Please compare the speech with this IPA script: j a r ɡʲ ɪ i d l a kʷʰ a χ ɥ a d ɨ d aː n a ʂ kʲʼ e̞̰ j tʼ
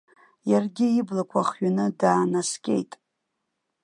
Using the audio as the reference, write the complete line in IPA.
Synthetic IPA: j a r ɡʲ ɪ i b l a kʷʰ a χ ɥ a n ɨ d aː n a s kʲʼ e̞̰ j tʼ

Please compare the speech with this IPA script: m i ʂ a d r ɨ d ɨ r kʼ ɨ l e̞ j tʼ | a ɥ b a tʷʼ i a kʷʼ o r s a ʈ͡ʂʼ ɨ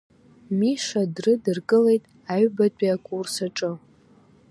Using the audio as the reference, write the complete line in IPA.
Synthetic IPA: m i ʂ a d r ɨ d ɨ r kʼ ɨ l e̞ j tʼ | a ɥ b a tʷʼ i a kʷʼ u r s a ʈ͡ʂʼ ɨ

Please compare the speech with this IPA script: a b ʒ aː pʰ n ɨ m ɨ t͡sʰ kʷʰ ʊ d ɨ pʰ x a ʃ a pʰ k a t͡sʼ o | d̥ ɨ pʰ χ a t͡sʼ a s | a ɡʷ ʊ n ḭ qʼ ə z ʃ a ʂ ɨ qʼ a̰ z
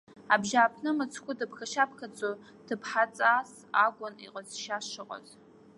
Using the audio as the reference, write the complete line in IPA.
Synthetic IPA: a b ʒ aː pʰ n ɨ m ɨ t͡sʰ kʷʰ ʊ d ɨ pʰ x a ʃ a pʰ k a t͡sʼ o | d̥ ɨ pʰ ħ a t͡sʼ a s | a ɡʷ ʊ n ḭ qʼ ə z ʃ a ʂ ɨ qʼ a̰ z

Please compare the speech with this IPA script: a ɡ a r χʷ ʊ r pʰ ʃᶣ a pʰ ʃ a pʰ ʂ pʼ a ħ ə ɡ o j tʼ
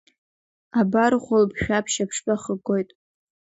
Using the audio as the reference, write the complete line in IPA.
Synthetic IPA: a b a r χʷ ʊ l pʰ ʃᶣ a pʰ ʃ a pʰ ʂ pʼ a χ ə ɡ o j tʼ

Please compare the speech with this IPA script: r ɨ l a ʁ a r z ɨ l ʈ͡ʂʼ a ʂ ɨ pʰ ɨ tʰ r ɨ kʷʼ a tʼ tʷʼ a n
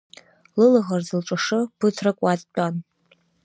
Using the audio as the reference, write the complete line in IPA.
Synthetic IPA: l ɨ l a ʁ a r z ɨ l ʈ͡ʂʼ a ʂ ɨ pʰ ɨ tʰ r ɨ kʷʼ a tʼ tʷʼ a n

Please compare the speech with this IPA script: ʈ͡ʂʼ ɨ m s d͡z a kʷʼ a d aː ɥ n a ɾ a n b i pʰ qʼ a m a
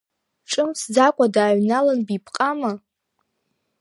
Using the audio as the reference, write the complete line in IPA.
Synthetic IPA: ʈ͡ʂʼ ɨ m s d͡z a kʷʼ a d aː ɥ n a l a n b i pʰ qʼ a m a

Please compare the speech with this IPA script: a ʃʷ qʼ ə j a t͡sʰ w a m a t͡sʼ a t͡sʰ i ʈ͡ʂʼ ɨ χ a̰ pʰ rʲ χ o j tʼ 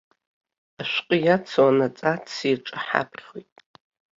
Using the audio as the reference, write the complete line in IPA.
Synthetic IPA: a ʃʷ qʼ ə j a t͡sʰ w a n a t͡sʼ a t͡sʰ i ʈ͡ʂʼ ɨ ħ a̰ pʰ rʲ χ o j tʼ

